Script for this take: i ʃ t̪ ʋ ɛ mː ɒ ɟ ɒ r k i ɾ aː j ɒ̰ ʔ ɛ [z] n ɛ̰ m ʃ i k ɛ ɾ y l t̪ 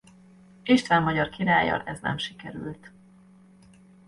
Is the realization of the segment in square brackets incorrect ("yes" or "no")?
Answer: no